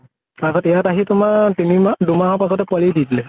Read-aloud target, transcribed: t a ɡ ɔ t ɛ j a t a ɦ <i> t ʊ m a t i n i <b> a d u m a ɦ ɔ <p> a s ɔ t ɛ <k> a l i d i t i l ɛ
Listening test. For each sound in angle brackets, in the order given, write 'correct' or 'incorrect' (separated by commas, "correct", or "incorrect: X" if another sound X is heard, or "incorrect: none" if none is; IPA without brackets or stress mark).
correct, incorrect: m, correct, incorrect: p